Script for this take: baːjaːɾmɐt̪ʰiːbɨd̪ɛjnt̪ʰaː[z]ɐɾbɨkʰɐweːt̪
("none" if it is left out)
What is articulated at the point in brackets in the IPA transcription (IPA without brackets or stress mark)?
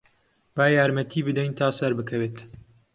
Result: s